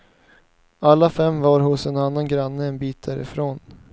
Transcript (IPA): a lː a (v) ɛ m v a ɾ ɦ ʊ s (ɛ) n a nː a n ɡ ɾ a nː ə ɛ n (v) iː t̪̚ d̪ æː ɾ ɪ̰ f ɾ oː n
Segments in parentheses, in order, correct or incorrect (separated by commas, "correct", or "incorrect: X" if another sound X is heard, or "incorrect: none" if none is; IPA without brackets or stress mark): incorrect: f, correct, incorrect: b